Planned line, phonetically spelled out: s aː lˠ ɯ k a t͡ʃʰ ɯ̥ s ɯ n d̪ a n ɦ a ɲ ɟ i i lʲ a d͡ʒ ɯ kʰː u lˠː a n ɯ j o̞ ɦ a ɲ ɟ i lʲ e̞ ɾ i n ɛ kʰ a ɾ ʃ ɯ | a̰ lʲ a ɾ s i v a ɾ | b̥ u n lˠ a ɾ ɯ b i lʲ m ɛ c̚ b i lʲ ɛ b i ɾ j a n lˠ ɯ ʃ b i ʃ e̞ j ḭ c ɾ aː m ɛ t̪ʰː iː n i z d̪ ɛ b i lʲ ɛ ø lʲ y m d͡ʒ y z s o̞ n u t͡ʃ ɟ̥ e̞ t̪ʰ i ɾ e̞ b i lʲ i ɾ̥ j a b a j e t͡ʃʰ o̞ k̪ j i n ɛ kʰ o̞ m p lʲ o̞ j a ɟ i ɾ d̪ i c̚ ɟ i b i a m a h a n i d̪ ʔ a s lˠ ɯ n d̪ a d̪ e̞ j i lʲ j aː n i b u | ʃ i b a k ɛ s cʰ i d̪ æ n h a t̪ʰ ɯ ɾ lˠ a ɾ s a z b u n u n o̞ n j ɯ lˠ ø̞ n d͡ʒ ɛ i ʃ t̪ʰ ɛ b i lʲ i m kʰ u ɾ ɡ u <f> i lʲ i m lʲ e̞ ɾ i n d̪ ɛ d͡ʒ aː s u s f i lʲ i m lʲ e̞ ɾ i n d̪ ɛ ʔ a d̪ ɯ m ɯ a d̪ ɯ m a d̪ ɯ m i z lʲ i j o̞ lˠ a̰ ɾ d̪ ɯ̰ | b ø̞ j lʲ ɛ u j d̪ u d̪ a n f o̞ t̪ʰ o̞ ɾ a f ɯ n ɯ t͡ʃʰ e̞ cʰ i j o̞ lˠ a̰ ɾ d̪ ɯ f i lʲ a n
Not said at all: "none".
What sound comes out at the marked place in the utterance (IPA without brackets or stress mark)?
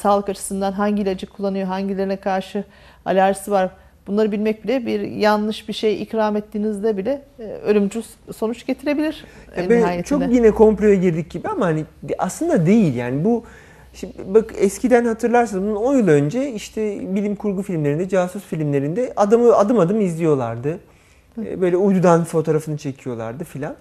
f